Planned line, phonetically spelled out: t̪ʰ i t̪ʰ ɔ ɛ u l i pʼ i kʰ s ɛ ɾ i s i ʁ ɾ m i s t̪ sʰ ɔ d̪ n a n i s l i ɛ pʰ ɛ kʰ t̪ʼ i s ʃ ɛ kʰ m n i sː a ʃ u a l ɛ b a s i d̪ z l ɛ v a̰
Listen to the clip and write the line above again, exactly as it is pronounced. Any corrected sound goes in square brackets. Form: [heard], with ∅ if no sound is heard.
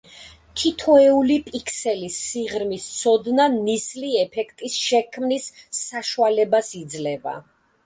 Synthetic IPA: t̪ʰ i t̪ʰ ɔ ɛ u l i pʼ i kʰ s ɛ [l] i s i ʁ ɾ m i s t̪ sʰ ɔ d̪ n a n i s l i ɛ pʰ ɛ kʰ t̪ʼ i s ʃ ɛ kʰ m n i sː a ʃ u a l ɛ b a s i d̪ z l ɛ v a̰